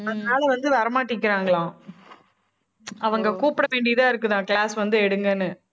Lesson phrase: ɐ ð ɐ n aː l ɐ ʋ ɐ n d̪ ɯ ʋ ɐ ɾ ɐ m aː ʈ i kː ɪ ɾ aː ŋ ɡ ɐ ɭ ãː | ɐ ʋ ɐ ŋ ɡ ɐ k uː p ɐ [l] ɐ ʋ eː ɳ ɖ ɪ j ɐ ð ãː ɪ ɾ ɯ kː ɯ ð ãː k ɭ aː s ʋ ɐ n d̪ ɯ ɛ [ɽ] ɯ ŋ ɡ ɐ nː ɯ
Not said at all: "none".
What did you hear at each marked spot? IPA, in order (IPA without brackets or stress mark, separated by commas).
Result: ɽ, ɽ